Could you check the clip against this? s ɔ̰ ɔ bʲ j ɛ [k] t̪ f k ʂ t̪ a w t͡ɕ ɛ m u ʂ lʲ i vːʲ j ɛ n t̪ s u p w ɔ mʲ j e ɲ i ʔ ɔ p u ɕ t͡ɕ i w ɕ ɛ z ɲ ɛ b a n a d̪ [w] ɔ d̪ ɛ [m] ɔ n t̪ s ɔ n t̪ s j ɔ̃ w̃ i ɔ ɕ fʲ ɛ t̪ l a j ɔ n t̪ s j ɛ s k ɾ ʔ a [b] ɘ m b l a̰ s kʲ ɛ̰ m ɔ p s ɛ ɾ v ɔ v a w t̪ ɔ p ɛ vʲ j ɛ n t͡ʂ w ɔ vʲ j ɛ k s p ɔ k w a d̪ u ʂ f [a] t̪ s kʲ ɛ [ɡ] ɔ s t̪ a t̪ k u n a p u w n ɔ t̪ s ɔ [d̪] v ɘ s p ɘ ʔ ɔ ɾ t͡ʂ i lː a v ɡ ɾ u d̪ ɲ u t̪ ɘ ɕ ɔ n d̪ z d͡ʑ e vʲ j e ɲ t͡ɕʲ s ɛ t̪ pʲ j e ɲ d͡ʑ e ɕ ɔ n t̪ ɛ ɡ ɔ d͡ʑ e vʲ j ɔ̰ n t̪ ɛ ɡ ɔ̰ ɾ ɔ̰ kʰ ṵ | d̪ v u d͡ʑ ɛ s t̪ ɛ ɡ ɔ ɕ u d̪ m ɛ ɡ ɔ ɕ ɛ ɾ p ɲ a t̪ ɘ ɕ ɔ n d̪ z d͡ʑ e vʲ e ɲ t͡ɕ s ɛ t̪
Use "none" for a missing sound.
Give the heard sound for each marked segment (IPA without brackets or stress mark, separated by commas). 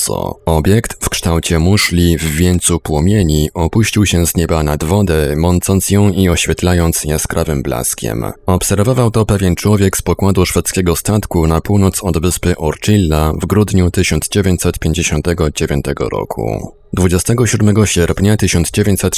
k, v, m, v, ɛ, ɡ, d̪